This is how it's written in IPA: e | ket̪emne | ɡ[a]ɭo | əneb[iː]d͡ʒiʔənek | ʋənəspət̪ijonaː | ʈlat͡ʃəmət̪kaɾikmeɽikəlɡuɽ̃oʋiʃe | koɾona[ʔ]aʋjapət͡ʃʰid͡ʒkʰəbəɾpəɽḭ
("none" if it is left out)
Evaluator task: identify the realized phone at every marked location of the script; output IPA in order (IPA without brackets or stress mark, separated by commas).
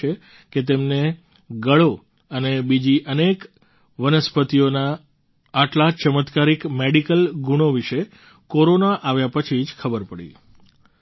ə, i, ʔ